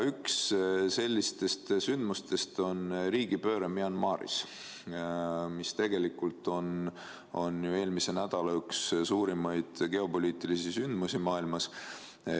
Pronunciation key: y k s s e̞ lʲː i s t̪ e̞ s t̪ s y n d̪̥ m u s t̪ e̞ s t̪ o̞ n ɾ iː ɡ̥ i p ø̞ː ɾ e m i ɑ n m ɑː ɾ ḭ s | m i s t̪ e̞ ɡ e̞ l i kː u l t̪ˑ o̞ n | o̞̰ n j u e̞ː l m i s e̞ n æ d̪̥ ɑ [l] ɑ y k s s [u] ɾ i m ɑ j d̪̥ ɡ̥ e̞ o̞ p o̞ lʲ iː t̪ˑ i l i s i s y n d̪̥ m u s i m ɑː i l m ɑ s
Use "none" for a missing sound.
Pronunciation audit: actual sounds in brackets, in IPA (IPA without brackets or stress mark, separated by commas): l, uː